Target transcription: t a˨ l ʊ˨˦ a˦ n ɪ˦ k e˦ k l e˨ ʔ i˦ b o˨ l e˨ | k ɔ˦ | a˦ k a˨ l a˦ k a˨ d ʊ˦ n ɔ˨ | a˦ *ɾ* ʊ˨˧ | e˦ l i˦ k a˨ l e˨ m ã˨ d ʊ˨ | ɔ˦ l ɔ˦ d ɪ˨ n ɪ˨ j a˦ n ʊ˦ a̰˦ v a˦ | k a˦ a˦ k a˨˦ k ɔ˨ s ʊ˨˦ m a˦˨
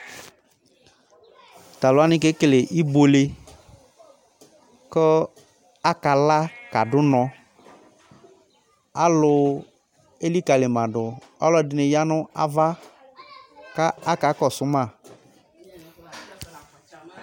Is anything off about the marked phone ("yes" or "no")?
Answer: yes